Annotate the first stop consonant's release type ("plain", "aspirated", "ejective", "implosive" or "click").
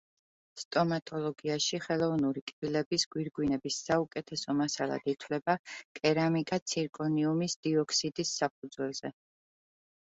ejective